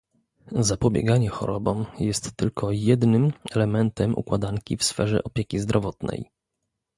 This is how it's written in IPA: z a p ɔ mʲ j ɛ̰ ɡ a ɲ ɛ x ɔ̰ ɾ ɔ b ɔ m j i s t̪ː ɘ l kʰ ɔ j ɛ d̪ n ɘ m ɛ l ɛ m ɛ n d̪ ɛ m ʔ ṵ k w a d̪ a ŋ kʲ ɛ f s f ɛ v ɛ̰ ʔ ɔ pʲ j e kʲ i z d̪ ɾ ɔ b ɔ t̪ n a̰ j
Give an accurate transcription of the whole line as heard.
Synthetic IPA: z a p ɔ bʲ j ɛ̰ ɡ a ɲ ɛ x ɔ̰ ɾ ɔ b ɔ m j ɛ s t̪ː ɘ l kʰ ɔ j ɛ d̪ n ɘ m ɛ l ɛ m ɛ n t̪ ɛ m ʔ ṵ k w a d̪ a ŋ kʲ i f s f ɛ ʐ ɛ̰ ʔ ɔ pʲ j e kʲ i z d̪ ɾ ɔ v ɔ t̪ n ɛ̰ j

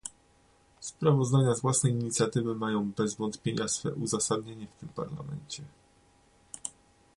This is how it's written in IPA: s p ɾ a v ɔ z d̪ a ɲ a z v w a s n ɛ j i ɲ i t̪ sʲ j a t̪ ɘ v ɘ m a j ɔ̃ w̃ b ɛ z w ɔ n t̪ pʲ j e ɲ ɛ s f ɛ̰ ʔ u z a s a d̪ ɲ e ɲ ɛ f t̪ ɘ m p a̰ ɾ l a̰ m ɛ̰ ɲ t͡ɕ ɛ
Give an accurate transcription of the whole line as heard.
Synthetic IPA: s p ɾ a v ɔ z d̪ a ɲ a z v w a s n ɛ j i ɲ i t̪ sʲ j a t̪ ɘ v ɘ m a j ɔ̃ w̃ b ɛ z v ɔ n t̪ pʲ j e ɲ a s f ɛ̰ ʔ u z a s a d̪ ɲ e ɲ ɛ f t̪ ɘ m p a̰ ɾ l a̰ m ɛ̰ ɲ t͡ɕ ɛ

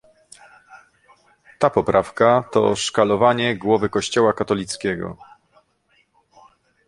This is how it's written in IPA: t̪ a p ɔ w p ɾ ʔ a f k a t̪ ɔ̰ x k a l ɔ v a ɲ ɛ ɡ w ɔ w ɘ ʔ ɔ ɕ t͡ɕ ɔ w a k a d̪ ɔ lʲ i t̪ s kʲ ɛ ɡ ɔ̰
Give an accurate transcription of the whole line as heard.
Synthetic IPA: t̪ a p ɔ p ɾ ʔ a f k a t̪ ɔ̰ ʂ k a l ɔ v a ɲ ɛ ɡ w ɔ v ɘ k ɔ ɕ t͡ɕ ɔ w a k a t̪ ɔ lʲ i t̪ s kʲ ɛ ɡ ɔ̰

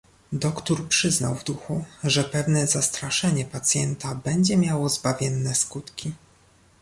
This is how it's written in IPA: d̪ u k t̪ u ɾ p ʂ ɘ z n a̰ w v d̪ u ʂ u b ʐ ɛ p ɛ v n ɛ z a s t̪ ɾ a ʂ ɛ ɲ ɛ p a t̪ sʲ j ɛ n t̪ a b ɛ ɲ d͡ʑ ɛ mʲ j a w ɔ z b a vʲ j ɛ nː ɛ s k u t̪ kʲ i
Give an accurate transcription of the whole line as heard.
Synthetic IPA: d̪ ɔ k t̪ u ɾ p ʂ ɘ z n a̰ w v d̪ u x u ʐ ɛ p ɛ v n ɛ z a s t̪ ɾ a ʂ ɛ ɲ ɛ p a t̪ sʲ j ɛ n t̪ a b ɛ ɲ d͡ʑ ɛ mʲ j a w ɔ z b a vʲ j ɛ nː ɛ s k u t̪ kʲ i

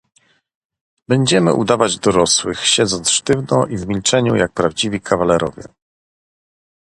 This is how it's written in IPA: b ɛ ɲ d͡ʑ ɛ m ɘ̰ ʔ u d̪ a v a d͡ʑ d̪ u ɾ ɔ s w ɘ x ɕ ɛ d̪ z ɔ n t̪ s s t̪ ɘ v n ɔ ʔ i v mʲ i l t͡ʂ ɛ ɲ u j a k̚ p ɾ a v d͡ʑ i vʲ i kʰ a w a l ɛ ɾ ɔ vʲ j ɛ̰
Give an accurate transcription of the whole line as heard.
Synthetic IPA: b ɛ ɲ d͡ʑ ɛ m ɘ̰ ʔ u d̪ a v a d͡ʑ d̪ ɔ ɾ ɔ s w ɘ x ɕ ɛ d̪ z ɔ n t̪ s ʂ t̪ ɘ v n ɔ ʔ i v mʲ i l t͡ʂ ɛ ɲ u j a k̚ p ɾ a v d͡ʑ i vʲ i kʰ a v a l ɛ ɾ ɔ vʲ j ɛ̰

